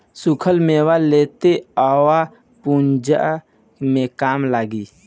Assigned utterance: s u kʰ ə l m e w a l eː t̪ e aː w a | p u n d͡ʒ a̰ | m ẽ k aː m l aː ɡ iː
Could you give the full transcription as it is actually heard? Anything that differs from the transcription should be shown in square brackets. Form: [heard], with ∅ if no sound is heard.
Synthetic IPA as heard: s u kʰ ə l m e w a l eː t̪ e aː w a | p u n d͡ʒ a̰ | m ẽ k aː m l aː ɡ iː